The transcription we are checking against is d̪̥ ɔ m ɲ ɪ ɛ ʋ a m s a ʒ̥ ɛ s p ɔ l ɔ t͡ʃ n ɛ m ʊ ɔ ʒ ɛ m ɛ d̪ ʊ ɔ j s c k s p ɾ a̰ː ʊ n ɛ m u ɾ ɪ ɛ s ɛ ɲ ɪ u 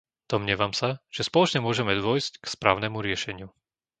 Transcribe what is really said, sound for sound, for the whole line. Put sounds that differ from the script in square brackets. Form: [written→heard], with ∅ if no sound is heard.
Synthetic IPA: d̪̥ ɔ m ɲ ɪ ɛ ʋ a m s a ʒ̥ ɛ s p ɔ l ɔ t͡ʃ [n→ɲ] ɛ m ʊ ɔ ʒ ɛ m ɛ d̪ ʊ ɔ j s c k s p ɾ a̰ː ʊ n ɛ m u ɾ ɪ ɛ [s→ʃ] ɛ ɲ ɪ u